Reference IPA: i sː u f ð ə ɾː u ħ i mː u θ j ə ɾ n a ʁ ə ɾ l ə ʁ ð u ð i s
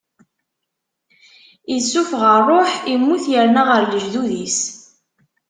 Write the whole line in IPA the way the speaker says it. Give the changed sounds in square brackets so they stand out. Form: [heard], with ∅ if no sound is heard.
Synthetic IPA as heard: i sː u f [ʁ] ə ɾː [o] ħ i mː u θ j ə ɾ n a ʁ ə ɾ l ə [ʒ] ð u ð i s